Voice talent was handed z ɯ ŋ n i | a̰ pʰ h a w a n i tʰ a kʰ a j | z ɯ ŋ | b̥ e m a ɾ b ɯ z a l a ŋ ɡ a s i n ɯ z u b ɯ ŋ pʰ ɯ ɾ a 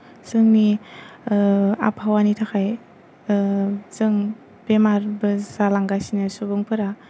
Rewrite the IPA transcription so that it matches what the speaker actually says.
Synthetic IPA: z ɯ ŋ n i | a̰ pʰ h a w a n i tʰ a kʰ a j | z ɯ ŋ | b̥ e m a ɾ b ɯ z a l a ŋ ɡ a s i n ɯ s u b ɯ ŋ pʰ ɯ ɾ a